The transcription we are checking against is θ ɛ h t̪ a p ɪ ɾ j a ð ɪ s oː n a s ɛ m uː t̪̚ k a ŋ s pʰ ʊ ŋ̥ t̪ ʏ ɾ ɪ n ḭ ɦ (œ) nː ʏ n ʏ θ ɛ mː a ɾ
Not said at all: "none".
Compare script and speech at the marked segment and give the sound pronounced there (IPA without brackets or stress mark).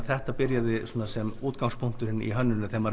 œ